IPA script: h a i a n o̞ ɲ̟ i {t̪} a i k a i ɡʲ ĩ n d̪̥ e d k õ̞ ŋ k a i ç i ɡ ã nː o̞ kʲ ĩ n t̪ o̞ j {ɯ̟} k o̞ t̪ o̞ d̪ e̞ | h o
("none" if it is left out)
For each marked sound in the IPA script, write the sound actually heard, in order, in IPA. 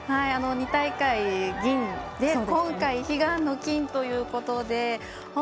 t̪, ɯ̟ː

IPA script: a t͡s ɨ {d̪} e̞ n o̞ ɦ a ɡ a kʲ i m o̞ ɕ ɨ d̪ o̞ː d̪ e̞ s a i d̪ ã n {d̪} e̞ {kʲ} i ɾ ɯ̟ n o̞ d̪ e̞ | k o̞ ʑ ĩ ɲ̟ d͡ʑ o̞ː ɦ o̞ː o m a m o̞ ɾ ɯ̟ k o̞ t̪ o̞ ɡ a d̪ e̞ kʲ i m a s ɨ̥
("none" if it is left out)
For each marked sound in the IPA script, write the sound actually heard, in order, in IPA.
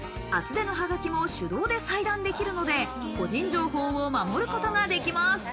d̪, d̪, kʲ

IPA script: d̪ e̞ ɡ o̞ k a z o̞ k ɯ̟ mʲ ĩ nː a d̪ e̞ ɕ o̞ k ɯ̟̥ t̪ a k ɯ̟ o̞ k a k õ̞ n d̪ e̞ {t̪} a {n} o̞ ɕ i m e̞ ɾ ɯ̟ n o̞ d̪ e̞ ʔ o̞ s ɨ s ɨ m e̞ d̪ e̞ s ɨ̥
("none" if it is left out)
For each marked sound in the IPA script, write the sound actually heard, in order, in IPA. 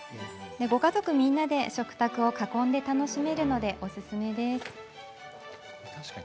t̪, n

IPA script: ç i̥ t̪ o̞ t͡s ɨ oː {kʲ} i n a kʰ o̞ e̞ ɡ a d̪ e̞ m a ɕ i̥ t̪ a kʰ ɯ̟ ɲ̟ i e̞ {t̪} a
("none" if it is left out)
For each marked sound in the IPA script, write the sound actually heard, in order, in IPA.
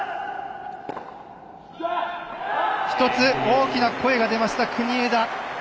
kʲ, d̪

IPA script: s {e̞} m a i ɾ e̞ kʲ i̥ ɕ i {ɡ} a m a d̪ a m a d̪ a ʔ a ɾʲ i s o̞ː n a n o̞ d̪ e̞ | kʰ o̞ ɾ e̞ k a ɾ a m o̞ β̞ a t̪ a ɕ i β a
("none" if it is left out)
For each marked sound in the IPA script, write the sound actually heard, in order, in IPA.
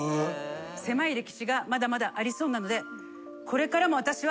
e̞, ɡ

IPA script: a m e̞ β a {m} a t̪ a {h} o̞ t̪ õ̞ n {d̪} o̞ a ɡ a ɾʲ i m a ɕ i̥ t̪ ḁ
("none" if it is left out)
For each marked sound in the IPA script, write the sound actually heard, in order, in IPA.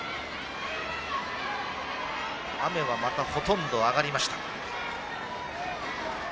m, h, d̪

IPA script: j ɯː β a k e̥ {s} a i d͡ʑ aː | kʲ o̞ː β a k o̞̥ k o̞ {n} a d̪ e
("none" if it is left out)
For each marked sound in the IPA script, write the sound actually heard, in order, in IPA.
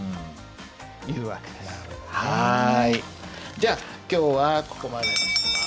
h, m

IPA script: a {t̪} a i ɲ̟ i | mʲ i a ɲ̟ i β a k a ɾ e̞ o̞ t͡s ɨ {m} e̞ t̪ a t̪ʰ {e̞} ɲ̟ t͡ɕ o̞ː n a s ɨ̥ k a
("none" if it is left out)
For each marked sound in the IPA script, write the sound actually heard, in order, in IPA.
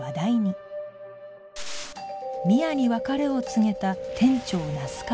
d̪, ŋ, ẽ̞

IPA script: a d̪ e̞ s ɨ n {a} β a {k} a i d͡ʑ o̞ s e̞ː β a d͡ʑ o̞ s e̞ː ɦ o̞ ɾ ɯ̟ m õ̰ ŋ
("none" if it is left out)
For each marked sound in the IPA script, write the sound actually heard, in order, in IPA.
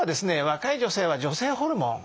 e, k

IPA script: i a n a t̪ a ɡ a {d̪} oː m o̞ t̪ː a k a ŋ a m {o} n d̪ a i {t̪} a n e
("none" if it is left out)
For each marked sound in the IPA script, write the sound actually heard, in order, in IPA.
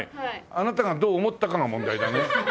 d̪, õ, d̪

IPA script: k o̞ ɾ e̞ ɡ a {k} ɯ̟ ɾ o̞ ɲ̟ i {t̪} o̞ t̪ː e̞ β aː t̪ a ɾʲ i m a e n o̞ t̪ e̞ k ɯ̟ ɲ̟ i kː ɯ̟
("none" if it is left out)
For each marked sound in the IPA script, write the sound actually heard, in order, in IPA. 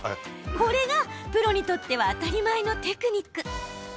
p, t̪

